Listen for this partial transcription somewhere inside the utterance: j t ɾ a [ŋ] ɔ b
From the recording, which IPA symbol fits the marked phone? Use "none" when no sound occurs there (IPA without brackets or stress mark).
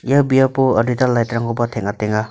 ŋ